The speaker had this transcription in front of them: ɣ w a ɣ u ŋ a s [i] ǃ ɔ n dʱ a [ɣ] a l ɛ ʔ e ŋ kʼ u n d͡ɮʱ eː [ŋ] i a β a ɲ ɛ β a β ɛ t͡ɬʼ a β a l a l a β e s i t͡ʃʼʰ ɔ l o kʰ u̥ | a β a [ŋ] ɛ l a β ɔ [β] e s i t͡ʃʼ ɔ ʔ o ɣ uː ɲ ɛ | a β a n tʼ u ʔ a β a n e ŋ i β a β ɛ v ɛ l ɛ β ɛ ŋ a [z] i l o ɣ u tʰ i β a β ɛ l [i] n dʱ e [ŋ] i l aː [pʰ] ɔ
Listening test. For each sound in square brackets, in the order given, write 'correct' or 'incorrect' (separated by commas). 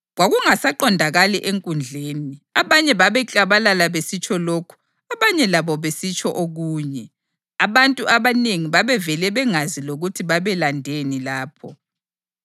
incorrect, correct, incorrect, incorrect, correct, correct, incorrect, incorrect, correct